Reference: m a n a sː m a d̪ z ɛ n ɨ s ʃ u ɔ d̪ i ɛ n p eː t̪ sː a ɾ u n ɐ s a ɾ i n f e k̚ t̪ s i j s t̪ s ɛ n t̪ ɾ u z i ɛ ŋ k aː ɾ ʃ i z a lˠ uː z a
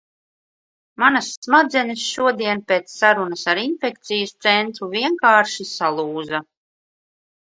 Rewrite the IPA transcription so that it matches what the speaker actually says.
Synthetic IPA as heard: m a n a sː m a d̪ z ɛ n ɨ s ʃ u ɔ d̪ i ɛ n p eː t̪ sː a ɾ u n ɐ s a ɾ i n f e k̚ t̪ s i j s t̪ s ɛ n t̪ ɾ u v i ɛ ŋ k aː ɾ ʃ i s a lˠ uː z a